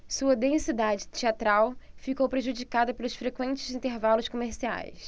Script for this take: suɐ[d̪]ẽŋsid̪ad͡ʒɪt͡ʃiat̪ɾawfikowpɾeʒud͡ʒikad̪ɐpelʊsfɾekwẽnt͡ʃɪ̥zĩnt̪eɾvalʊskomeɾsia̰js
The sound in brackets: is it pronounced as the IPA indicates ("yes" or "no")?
yes